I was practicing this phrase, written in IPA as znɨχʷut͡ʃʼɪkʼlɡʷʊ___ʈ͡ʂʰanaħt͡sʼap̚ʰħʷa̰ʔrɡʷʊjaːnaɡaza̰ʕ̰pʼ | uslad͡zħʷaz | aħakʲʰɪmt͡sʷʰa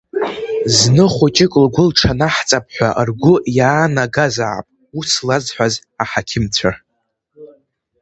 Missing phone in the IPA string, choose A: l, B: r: A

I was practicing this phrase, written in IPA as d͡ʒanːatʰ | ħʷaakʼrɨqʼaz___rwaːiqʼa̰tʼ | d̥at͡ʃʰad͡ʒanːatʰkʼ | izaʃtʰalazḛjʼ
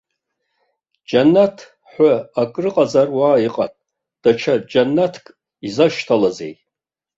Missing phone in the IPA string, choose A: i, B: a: B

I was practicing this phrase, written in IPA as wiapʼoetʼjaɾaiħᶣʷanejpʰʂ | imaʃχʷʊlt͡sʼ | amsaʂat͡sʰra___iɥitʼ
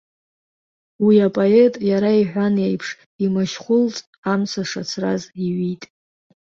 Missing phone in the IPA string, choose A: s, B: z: B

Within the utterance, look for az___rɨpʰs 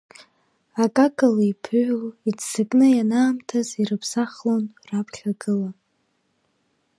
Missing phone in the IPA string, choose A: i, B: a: A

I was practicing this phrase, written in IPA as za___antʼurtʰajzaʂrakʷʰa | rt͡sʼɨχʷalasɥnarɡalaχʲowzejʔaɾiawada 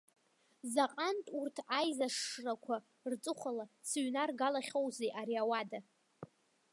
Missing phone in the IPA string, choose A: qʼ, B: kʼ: A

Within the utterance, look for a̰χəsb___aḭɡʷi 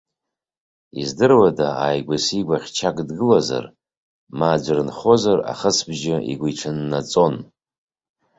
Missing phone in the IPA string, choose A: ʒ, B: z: A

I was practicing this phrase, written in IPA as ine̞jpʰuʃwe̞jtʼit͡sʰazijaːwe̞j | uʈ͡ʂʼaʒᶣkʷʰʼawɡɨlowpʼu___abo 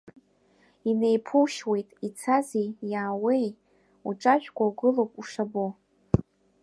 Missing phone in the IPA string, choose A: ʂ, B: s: A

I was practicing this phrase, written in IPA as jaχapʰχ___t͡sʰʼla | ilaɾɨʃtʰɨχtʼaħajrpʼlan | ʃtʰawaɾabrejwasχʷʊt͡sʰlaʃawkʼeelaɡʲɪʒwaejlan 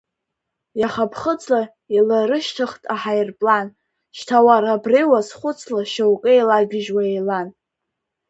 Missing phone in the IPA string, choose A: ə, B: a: A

